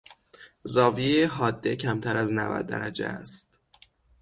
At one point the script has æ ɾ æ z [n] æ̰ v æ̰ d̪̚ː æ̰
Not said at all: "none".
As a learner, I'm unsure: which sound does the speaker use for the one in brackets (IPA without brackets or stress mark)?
n